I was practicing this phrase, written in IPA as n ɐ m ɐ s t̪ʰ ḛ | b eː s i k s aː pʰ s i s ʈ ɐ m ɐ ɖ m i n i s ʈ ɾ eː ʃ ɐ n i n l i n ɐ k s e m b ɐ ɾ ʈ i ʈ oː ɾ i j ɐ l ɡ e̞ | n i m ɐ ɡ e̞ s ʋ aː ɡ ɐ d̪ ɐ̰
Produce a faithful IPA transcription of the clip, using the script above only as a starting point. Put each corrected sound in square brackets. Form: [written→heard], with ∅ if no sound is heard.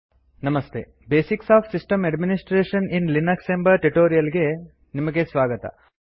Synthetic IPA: n ɐ m ɐ s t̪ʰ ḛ | b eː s i k s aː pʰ s i s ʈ ɐ m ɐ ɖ m i n i s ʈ ɾ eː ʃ ɐ n i n l i n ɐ k s e m b ɐ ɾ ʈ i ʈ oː ɾ i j ɐ l ɡ e̞ | n i m ɐ ɡ e̞ s ʋ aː ɡ ɐ [d̪→t̪] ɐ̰